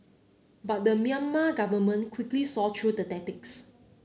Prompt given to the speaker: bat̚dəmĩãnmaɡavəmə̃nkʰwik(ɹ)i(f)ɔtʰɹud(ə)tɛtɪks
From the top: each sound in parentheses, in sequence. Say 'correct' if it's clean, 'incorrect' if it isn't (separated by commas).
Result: incorrect, incorrect, correct